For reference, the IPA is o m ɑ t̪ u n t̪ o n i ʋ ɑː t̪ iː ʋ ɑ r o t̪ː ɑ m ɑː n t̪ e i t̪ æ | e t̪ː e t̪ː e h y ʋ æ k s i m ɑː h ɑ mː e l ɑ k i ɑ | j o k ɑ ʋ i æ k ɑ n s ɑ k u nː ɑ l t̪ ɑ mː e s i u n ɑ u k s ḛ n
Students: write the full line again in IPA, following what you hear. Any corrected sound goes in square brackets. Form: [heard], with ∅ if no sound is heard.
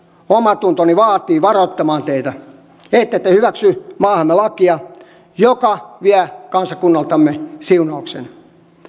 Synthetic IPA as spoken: o m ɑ t̪ u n t̪ o n i ʋ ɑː t̪ iː ʋ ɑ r o t̪ː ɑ m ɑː n t̪ e i t̪ æ | e t̪ː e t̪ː e h y ʋ æ k s [y] m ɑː h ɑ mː e l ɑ k i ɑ | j o k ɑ ʋ i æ k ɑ n s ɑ k u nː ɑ l t̪ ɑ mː e s i u n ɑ u k s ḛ n